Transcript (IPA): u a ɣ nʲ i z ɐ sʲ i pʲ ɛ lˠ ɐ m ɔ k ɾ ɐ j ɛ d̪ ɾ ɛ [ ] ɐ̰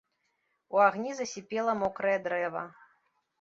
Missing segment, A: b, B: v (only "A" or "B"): B